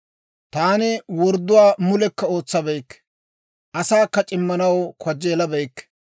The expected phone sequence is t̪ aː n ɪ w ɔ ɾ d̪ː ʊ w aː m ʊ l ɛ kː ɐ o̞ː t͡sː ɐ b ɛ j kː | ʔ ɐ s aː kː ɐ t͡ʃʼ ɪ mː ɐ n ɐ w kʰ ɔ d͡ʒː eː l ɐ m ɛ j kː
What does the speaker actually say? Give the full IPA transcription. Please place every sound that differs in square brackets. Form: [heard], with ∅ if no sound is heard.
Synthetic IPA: t̪ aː n ɪ w ɔ ɾ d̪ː ʊ w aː m ʊ l ɛ kː ɐ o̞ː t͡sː ɐ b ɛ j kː | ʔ ɐ s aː kː ɐ t͡ʃʼ ɪ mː ɐ n ɐ w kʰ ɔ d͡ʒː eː l ɐ [b] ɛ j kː